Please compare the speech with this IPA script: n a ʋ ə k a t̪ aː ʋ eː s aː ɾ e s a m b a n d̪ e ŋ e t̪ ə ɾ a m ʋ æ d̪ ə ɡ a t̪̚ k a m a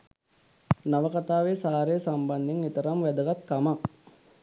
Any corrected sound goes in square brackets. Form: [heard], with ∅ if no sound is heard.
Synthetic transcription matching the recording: n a ʋ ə k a t̪ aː ʋ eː s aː ɾ e s a m b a n d̪ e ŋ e t̪ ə ɾ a m ʋ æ d̪ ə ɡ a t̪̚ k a m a